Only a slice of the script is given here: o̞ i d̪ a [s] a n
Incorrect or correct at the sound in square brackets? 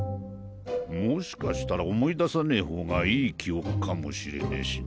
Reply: correct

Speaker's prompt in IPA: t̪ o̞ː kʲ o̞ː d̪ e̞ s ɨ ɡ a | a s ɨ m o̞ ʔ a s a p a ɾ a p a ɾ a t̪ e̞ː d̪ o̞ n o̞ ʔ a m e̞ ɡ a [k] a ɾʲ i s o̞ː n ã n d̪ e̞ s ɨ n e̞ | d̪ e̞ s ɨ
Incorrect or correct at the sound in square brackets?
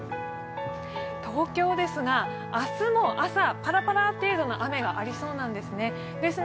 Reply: incorrect: ʔ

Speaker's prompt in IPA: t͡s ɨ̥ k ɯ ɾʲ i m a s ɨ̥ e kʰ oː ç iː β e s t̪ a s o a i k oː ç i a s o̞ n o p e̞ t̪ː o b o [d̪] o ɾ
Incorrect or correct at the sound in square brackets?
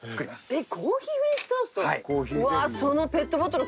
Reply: incorrect: t̪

